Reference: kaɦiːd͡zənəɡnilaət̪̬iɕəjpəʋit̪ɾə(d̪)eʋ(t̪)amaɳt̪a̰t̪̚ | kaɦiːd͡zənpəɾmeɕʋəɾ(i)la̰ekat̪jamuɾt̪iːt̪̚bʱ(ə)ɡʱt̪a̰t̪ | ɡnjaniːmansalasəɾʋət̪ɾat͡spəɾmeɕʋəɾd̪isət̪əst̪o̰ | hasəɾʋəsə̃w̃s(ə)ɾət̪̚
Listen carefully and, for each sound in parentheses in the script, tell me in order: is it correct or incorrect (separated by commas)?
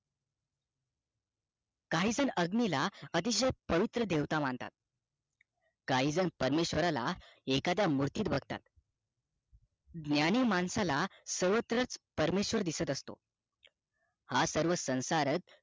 correct, correct, incorrect, correct, incorrect